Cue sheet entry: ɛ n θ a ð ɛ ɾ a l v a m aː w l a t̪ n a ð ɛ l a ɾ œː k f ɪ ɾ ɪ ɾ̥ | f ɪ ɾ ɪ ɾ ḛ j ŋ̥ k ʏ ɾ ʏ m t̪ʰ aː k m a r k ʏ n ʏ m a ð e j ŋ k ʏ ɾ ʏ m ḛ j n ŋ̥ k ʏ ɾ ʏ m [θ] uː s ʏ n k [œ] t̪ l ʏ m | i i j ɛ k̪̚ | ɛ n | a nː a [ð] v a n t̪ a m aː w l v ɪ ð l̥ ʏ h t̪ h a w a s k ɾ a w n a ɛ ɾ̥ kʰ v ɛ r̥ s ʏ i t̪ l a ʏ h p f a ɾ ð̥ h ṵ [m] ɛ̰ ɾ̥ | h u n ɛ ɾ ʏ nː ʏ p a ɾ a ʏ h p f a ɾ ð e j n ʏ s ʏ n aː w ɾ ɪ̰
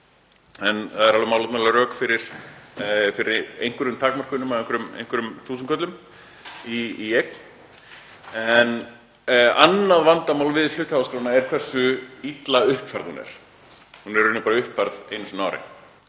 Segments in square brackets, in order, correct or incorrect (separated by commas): correct, correct, correct, incorrect